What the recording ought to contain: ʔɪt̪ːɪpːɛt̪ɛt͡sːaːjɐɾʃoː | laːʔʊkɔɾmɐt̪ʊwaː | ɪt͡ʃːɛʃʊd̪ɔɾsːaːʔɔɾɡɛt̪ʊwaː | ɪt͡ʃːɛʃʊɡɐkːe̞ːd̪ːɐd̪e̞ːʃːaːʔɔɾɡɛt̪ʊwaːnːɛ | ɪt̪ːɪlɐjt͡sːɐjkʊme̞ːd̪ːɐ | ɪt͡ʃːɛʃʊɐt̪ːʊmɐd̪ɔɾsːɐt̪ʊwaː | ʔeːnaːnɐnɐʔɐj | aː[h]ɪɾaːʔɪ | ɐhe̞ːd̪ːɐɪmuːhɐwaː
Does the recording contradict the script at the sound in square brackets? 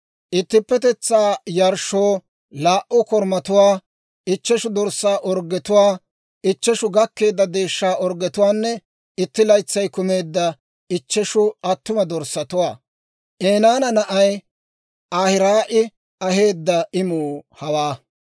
no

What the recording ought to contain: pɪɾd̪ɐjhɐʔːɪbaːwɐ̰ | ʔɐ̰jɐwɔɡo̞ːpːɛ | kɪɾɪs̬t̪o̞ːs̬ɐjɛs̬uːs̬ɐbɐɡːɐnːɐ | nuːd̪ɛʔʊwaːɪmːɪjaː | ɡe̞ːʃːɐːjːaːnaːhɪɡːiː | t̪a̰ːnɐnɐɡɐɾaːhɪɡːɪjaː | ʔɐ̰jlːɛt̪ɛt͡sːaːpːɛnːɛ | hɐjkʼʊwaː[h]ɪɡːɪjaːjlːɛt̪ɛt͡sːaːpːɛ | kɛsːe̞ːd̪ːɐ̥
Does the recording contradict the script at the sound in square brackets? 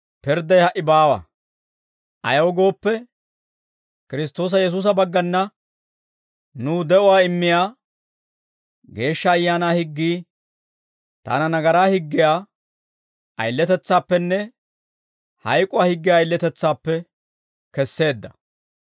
no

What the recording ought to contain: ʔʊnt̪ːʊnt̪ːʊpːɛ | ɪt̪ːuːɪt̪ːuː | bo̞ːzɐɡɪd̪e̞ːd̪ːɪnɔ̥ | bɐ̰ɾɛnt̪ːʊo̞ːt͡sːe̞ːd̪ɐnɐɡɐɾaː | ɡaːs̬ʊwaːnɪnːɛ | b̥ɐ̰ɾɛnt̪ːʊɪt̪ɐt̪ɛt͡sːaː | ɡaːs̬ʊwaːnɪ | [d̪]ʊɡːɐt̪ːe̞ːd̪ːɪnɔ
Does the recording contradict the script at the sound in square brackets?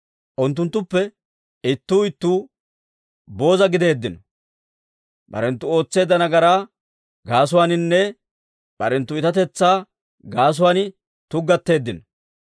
yes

